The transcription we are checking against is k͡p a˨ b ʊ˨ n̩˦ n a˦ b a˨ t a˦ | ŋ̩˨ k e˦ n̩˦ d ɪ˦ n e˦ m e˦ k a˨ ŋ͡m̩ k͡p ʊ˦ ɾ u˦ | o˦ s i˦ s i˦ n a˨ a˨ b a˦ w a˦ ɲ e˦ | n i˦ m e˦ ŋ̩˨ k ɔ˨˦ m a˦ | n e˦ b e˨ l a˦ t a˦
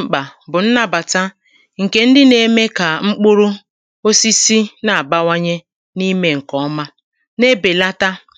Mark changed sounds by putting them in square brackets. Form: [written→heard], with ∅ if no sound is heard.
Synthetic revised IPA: k͡p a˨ b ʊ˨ n̩˦ n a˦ b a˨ t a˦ | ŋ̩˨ k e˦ n̩˦ d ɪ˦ n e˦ m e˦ k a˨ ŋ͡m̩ k͡p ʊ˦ ɾ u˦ | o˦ s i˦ s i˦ n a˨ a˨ b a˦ w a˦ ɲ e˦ | n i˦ m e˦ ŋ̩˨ k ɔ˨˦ m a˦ | n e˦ b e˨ l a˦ t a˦